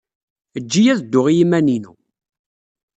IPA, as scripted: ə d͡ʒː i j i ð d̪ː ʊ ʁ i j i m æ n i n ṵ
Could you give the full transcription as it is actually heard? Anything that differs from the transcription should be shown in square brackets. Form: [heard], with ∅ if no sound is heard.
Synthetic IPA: ə d͡ʒː i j [æ] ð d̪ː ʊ ʁ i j i m æ n i n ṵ